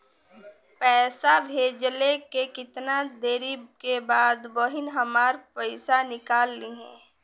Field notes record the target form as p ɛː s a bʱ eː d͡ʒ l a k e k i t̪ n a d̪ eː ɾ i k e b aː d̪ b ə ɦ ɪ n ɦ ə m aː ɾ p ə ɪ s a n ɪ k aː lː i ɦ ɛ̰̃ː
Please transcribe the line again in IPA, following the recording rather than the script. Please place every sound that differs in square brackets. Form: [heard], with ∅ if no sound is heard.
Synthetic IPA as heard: p ɛː s a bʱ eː d͡ʒ l [e] k e k [ɪ] t̪ n a d̪ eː ɾ i k e b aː d̪ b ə ɦ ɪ n ɦ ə m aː ɾ p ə ɪ s a n ɪ k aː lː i ɦ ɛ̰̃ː

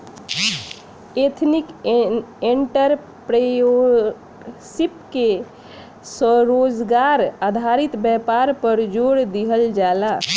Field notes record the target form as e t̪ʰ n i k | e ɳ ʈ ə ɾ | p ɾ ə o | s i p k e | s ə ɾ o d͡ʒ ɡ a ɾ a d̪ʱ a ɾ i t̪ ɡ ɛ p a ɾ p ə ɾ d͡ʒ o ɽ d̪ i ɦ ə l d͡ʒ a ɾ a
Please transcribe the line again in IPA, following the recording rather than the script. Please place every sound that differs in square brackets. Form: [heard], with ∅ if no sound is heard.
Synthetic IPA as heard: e t̪ʰ n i k | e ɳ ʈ ə ɾ | p ɾ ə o | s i p k e | s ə ɾ o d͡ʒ ɡ a ɾ a d̪ʱ a ɾ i t̪ [b] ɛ p a ɾ p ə ɾ d͡ʒ o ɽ d̪ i ɦ ə l d͡ʒ a [l] a

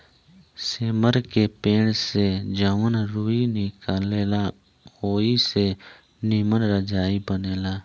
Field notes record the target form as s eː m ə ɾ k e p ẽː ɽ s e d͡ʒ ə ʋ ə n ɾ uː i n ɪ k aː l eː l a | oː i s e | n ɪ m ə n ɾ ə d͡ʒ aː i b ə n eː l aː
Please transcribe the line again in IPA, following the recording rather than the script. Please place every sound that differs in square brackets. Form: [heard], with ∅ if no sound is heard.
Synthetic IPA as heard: s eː m ə ɾ k e p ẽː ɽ s e d͡ʒ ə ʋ ə n ɾ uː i n ɪ k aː l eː l a | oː i s e | n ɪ m ə n ɾ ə d͡ʒ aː i b ə n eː l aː

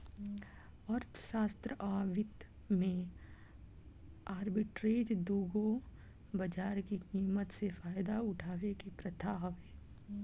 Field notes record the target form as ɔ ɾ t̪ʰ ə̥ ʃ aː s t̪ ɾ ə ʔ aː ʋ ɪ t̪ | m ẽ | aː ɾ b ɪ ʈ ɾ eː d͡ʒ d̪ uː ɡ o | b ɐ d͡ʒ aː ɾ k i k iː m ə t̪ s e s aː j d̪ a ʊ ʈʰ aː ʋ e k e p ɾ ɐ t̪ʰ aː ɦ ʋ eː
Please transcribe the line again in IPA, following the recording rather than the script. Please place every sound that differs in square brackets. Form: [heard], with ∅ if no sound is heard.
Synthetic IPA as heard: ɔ ɾ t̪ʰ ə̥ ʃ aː s t̪ ɾ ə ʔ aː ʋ ɪ t̪ | m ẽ | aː ɾ b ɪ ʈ ɾ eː d͡ʒ d̪ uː ɡ o | b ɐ d͡ʒ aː ɾ k i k iː m ə t̪ s e [f] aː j d̪ a ʊ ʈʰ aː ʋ e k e p ɾ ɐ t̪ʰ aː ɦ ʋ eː

